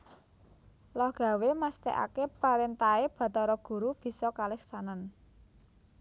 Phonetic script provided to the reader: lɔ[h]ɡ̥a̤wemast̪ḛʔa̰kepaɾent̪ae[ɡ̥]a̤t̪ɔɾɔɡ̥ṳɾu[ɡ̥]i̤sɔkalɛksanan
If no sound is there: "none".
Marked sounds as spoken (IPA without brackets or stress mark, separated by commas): h, b̥, b̥